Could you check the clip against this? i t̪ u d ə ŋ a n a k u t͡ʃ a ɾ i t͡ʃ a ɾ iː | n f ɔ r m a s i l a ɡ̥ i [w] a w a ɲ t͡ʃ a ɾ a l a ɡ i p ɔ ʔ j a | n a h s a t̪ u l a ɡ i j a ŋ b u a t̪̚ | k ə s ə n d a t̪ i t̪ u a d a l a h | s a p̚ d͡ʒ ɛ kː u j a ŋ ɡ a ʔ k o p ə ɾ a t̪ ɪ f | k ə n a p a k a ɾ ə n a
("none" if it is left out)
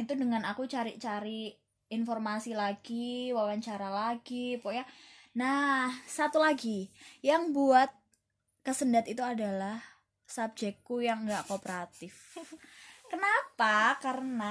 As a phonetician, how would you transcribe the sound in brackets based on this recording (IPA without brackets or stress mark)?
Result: w